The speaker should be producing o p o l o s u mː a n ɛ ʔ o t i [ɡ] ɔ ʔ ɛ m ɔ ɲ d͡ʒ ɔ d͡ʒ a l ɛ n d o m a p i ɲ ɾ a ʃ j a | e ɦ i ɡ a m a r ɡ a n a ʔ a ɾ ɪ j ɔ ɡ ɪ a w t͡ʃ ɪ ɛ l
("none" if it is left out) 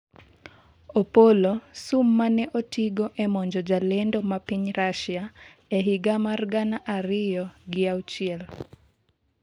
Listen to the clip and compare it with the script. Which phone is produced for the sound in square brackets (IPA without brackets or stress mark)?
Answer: ɡ